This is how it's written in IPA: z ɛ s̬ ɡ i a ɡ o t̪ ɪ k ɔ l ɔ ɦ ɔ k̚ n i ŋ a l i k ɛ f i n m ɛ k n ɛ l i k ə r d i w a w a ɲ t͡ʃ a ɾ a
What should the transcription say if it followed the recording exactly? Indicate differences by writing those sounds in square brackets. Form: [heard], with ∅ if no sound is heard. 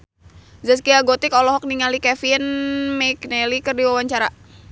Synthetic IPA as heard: z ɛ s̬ [k] i a ɡ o t̪ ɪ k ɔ l ɔ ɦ ɔ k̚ n i ŋ a l i k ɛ f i n m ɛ k n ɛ l i k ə r d i w a w a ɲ t͡ʃ a ɾ a